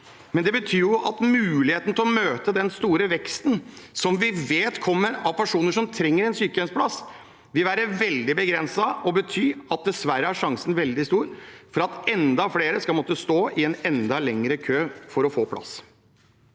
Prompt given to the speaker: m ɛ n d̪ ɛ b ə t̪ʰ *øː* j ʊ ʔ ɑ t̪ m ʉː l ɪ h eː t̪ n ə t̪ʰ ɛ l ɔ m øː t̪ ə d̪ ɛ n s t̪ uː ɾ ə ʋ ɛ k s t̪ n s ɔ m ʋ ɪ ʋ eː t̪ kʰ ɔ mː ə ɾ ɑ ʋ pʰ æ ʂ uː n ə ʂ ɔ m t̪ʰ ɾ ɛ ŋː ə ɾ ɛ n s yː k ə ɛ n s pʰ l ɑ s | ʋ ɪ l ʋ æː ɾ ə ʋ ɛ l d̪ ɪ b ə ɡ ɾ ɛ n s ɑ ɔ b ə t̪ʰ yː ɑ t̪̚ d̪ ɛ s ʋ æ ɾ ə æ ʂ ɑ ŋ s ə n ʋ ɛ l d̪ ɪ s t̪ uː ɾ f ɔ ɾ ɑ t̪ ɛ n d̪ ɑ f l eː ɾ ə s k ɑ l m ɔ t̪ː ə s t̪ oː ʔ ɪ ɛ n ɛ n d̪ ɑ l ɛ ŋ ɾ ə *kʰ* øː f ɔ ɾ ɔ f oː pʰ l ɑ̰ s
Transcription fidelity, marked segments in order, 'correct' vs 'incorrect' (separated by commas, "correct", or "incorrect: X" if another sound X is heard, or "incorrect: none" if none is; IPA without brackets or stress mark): incorrect: yː, correct